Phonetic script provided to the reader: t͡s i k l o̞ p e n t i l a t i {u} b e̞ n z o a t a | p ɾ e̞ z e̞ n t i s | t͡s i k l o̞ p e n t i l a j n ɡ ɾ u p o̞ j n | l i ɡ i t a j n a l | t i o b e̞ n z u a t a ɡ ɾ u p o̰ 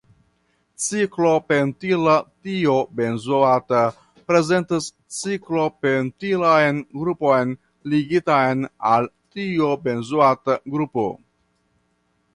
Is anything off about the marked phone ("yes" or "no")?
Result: yes